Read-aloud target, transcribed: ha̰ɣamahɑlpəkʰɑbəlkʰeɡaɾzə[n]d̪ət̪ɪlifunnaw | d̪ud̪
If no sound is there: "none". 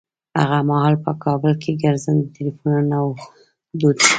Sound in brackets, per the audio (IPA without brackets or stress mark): n